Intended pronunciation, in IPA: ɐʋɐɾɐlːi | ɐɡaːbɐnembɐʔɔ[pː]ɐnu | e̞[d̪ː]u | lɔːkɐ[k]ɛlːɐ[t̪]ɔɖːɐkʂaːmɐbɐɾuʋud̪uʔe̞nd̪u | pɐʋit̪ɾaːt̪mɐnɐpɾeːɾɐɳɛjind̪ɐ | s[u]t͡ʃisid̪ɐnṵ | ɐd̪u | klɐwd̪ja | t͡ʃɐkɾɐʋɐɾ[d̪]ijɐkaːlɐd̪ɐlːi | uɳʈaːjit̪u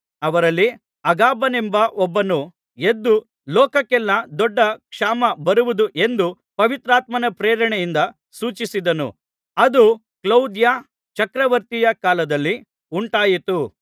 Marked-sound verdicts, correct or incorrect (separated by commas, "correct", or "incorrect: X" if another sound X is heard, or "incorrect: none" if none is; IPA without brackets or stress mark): incorrect: bː, correct, correct, incorrect: d̪, incorrect: uː, incorrect: t̪